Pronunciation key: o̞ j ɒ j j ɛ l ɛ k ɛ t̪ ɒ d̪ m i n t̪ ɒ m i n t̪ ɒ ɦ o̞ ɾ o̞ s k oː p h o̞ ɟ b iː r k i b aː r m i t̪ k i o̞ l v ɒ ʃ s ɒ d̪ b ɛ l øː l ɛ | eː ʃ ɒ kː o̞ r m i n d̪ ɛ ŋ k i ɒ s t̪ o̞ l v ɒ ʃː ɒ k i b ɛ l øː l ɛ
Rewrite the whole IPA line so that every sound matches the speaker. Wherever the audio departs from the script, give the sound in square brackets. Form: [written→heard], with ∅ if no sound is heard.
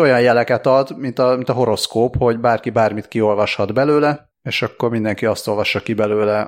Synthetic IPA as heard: o̞ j ɒ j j ɛ l ɛ k ɛ t̪ ɒ d̪ m i n t̪ ɒ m i n t̪ ɒ ɦ o̞ ɾ o̞ s k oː p h o̞ ɟ b [iː→aː] r k i b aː r m i t̪ k i o̞ l v ɒ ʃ [s→h] ɒ d̪ b ɛ l øː l ɛ | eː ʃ ɒ kː o̞ r m i n d̪ ɛ ŋ k i ɒ s t̪ o̞ l v ɒ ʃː ɒ k i b ɛ l øː l ɛ